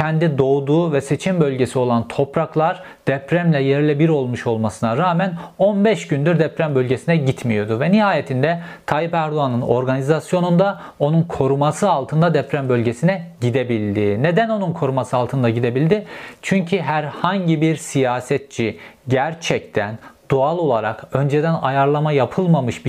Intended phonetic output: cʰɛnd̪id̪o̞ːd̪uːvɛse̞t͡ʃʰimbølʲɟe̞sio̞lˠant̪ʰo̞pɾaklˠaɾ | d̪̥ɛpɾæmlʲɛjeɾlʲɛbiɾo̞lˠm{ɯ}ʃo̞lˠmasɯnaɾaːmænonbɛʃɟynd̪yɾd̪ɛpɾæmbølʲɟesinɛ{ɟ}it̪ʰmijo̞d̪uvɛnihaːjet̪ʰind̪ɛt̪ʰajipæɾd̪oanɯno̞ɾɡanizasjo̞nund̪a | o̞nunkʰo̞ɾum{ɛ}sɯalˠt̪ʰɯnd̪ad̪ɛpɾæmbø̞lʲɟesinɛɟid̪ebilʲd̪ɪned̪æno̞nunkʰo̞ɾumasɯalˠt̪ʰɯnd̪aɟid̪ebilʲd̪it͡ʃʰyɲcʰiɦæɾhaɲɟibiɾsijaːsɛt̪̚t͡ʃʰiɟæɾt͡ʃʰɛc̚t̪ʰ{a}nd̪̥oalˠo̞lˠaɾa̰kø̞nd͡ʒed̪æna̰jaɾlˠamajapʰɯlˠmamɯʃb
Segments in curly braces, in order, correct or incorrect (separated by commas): incorrect, correct, incorrect, incorrect